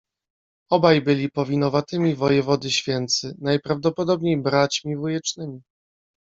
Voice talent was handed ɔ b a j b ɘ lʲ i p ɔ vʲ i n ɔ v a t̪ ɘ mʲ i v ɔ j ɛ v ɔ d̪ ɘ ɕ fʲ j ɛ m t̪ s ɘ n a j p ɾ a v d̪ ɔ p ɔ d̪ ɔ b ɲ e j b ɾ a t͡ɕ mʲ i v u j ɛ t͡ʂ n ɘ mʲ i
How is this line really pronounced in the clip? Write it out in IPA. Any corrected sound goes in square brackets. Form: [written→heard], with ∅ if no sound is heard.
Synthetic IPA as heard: ɔ b a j b ɘ lʲ i p ɔ vʲ i n ɔ v a t̪ ɘ mʲ i v ɔ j ɛ v ɔ d̪ ɘ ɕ fʲ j ɛ [m→n] t̪ s ɘ n a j p ɾ a v d̪ ɔ p ɔ d̪ ɔ b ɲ e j b ɾ a t͡ɕ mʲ i v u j ɛ t͡ʂ n ɘ mʲ i